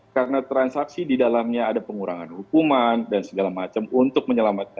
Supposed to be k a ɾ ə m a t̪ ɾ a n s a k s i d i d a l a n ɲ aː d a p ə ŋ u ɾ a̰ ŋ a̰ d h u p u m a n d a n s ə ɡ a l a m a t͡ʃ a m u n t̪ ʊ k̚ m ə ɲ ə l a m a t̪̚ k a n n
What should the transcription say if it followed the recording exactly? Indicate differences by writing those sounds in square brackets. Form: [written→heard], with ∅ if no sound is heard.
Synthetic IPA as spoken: k a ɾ ə [m→n] a t̪ ɾ a n s a k s i d i d a l a [n→m] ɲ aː d a p ə ŋ u ɾ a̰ ŋ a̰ [d→n] h u [p→k] u m a n d a n s ə ɡ a l a m a t͡ʃ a m u n t̪ ʊ k̚ m ə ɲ ə l a m a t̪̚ k a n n